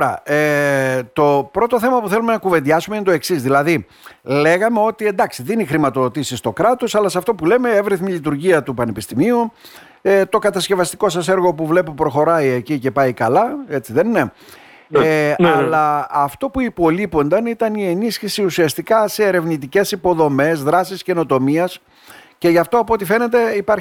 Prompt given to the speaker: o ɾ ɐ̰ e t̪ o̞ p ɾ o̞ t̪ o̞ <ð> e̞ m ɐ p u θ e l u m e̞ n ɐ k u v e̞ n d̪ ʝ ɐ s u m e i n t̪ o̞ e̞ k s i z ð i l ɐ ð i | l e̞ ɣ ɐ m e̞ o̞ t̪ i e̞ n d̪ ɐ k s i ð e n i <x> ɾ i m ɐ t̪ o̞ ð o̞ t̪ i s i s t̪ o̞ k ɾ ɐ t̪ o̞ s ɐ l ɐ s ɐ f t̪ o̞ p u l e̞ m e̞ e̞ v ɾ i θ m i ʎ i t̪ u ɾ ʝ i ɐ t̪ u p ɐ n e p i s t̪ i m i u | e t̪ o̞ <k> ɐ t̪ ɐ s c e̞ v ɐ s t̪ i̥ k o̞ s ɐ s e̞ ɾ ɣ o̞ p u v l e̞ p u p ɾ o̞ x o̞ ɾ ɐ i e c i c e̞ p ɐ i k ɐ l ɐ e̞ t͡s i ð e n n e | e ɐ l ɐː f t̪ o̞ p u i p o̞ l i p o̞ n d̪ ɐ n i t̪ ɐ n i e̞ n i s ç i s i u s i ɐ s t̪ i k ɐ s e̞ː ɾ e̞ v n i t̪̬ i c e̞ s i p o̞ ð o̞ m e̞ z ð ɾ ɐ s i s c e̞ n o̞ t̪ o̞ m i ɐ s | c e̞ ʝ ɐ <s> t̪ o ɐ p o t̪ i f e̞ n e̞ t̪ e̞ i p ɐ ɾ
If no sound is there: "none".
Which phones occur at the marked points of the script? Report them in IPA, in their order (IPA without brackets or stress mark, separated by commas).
θ, x, k, f